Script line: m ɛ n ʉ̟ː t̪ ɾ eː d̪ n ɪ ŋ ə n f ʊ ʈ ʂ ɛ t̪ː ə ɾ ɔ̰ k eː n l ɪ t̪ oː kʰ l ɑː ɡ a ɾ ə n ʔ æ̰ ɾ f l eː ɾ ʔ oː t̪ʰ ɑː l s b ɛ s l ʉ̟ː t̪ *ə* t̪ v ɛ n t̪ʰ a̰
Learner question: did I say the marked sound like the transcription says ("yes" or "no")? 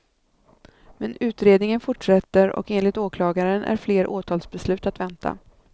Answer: no